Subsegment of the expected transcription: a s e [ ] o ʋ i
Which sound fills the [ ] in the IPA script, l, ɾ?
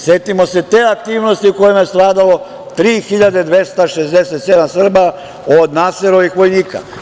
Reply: ɾ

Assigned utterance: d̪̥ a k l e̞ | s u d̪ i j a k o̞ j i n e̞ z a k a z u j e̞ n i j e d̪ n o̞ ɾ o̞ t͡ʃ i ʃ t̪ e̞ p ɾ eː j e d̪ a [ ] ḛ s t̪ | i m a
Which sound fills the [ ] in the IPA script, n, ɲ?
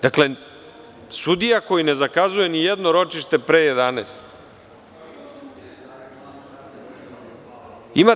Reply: n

